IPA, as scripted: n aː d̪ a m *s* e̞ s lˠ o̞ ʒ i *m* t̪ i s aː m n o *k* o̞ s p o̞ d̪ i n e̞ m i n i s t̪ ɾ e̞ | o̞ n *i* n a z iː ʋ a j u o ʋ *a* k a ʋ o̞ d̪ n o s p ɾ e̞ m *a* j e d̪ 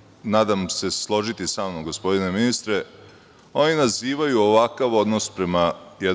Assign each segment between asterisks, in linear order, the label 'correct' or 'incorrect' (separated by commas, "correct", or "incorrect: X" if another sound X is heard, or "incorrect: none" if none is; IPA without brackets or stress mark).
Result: correct, incorrect: none, incorrect: ɡ, correct, correct, correct